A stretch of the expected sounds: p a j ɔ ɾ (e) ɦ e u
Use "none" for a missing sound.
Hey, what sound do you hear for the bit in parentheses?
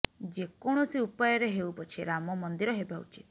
e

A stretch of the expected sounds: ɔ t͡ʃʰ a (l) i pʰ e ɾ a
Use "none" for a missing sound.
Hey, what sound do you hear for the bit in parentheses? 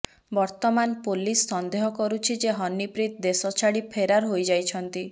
ɽ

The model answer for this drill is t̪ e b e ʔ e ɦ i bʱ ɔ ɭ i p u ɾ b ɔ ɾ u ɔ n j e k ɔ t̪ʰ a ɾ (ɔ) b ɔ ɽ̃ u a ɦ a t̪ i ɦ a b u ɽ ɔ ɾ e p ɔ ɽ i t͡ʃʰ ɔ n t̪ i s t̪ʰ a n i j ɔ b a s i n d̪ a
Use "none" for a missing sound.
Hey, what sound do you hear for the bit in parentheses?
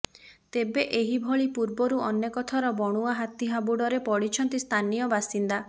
ɔ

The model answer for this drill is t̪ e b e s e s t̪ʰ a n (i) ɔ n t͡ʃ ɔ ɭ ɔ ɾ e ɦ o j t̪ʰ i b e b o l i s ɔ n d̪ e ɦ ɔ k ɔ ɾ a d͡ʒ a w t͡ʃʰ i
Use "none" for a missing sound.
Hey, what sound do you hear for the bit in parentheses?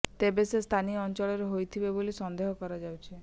i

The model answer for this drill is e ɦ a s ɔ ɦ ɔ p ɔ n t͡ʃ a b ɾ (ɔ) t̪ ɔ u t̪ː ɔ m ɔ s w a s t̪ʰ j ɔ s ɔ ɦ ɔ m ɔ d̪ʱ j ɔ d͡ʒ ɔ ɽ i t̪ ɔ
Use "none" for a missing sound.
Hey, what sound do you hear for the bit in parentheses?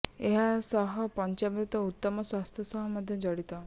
u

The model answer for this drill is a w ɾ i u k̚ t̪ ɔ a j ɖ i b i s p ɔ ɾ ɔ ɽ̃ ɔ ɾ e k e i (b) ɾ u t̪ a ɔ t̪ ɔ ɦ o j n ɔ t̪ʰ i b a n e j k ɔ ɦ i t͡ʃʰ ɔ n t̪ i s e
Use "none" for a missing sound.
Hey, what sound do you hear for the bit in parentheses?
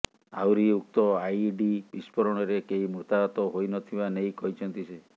m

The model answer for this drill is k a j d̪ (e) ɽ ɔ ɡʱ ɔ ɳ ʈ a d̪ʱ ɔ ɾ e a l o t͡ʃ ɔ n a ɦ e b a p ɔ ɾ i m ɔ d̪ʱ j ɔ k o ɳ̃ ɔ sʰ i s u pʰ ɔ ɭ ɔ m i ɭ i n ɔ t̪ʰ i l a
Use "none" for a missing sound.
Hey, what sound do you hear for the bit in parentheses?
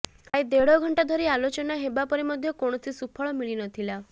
e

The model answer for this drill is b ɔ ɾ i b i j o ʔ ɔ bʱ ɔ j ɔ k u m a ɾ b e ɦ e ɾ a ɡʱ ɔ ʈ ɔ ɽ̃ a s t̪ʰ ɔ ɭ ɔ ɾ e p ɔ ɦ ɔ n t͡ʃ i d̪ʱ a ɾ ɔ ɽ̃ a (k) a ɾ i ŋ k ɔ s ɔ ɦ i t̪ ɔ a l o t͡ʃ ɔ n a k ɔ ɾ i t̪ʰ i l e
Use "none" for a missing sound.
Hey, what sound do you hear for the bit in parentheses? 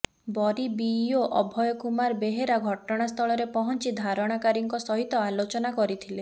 k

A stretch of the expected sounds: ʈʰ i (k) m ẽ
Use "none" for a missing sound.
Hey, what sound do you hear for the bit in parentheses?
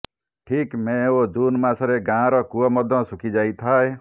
k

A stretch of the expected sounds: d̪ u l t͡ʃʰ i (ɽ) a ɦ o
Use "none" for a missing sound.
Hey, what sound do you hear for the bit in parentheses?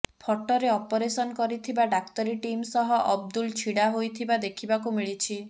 ɽ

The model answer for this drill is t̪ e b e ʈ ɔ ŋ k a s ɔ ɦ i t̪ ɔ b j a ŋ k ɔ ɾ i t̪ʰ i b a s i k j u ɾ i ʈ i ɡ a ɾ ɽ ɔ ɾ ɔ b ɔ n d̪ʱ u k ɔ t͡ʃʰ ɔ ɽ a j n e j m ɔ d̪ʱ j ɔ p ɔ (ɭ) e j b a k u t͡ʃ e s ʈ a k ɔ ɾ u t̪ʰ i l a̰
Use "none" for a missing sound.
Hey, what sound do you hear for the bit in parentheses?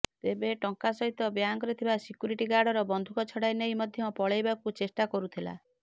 ɭ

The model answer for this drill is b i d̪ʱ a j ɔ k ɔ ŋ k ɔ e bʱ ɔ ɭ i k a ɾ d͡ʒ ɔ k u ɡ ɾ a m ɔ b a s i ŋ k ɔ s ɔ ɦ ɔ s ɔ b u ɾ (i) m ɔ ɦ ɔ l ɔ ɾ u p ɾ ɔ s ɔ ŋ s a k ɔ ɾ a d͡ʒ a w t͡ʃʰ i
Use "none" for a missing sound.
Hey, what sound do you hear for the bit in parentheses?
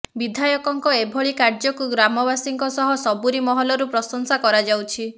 i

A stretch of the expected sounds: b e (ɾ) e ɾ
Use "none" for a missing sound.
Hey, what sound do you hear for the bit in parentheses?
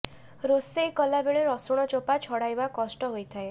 ɭ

